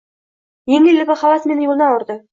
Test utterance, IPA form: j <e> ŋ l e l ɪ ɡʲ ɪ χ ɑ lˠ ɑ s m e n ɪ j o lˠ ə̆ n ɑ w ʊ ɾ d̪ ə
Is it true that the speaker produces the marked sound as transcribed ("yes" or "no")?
yes